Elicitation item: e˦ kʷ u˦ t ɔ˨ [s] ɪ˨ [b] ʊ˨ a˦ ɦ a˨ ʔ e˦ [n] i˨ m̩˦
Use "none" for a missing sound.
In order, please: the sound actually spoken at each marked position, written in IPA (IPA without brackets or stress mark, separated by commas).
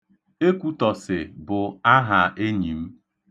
s, b, ɲ